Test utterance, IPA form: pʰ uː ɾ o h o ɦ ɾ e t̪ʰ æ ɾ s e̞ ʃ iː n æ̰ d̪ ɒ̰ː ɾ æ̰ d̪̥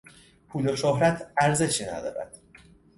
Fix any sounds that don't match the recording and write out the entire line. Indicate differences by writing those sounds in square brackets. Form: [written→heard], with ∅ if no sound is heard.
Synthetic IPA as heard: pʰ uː [ɾ→l] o [h→ʃ] o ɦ ɾ [e→æ] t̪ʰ æ ɾ [s→z] e̞ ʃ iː n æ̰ d̪ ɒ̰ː ɾ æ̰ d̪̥